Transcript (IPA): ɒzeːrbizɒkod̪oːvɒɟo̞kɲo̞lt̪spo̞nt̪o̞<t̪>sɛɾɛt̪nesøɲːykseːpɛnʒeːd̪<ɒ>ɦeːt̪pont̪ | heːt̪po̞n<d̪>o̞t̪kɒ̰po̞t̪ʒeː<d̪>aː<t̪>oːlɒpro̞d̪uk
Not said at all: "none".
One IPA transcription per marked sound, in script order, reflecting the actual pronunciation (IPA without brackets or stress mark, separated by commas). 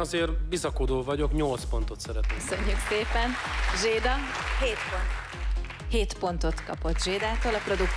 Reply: t̪, ɒ, t̪, d̪, t̪